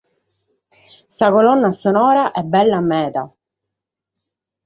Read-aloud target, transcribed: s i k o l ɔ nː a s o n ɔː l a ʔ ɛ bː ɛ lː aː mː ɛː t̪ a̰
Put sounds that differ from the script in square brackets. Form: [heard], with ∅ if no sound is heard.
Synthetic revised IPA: s [a] k o l ɔ nː a s o n ɔː [ɾ] a ʔ ɛ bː ɛ lː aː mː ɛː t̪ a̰